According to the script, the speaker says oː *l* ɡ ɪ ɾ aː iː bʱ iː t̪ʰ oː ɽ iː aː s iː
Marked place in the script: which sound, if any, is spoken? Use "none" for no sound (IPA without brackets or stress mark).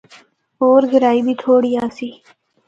ɾ